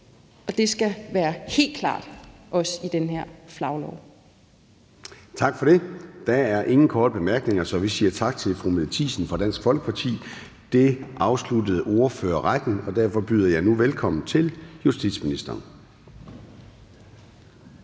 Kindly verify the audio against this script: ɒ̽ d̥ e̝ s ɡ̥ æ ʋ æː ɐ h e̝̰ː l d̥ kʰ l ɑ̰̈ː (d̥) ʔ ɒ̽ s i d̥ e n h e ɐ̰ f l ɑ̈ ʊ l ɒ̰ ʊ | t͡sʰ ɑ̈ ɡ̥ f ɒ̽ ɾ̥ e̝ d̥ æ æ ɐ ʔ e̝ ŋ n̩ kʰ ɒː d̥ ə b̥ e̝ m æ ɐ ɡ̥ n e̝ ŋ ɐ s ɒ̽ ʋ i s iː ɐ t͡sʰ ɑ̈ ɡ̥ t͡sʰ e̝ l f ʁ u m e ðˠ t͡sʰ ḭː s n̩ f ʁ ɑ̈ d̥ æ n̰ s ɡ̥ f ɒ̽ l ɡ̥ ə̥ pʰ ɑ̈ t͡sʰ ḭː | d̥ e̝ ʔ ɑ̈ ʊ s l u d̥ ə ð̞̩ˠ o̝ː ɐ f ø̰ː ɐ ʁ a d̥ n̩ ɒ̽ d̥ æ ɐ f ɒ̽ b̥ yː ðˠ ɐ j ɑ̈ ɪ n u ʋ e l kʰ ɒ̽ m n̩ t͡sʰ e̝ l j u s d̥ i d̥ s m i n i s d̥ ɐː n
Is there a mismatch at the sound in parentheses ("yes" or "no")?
no